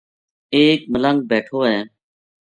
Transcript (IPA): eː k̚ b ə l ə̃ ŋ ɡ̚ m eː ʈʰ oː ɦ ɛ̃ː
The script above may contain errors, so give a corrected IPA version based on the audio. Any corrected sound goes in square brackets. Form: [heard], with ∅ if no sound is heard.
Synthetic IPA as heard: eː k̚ [m] ə l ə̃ ŋ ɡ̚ [b] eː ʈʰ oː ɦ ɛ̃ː